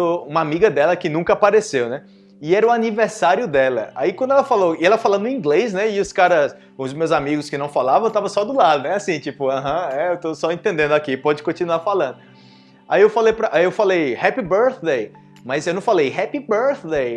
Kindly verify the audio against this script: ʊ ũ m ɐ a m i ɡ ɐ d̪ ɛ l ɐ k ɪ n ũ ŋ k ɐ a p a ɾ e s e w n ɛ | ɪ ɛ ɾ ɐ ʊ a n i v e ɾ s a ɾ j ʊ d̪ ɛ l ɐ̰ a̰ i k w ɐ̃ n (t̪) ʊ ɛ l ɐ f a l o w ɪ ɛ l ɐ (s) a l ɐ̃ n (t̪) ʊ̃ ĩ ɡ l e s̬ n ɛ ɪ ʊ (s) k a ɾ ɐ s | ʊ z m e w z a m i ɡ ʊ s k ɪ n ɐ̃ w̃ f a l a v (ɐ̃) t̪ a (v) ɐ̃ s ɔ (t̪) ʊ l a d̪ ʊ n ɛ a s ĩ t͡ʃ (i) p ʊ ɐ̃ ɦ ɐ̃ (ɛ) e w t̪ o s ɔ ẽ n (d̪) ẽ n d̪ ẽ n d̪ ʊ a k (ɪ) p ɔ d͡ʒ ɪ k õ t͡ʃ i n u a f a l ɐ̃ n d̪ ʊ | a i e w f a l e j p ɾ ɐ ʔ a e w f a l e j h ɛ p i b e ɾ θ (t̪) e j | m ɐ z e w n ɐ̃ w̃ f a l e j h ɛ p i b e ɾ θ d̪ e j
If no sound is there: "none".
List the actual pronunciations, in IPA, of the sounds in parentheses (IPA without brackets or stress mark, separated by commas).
d̪, f, d̪, s, ɐ̃, v, d̪, i, ɛ, t̪, i, d̪